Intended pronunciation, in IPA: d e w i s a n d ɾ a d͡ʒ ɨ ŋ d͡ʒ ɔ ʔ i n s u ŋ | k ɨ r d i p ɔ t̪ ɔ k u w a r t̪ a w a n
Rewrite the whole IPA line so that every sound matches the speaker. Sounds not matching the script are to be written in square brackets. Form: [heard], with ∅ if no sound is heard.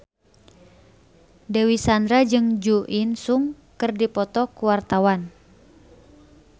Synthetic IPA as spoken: d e w i s a n d ɾ a d͡ʒ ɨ ŋ d͡ʒ [u] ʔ i n s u ŋ | k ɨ r d i p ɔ t̪ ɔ k u w a r t̪ a w a n